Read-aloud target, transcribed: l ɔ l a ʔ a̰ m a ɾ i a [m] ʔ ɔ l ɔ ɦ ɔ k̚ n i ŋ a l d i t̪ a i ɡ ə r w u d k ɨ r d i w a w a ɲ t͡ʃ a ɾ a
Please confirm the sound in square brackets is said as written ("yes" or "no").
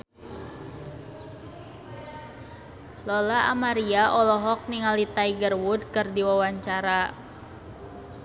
no